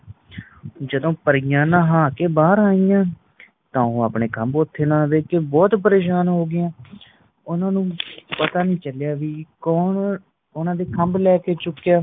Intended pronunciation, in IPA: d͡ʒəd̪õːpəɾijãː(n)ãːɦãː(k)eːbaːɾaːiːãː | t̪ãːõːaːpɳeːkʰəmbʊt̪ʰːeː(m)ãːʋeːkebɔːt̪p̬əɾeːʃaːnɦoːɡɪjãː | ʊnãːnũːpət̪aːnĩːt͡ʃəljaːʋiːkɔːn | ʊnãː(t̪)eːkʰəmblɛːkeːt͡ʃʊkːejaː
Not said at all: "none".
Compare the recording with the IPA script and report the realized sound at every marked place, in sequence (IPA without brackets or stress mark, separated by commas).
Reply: n, k, n, d̪